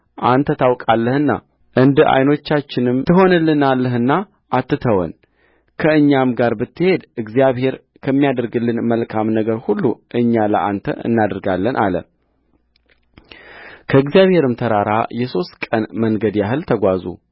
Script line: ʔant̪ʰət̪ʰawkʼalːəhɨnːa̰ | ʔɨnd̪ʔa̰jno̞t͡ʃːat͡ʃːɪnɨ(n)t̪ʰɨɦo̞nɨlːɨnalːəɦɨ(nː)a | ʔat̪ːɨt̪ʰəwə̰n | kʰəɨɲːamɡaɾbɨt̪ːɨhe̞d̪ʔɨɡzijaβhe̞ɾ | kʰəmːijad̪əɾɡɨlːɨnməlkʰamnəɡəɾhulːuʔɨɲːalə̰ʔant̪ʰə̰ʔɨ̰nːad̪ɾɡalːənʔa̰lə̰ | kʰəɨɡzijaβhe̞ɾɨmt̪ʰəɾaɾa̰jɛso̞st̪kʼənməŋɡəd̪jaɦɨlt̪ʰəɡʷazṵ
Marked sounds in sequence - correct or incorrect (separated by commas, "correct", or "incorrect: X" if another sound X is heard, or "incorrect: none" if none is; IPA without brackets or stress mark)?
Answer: incorrect: m, correct